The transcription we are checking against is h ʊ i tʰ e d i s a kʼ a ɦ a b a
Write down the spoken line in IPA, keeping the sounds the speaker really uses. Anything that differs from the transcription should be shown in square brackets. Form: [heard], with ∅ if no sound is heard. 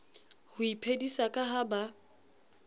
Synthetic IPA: h ʊ i [pʰ] e d i s a kʼ a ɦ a b a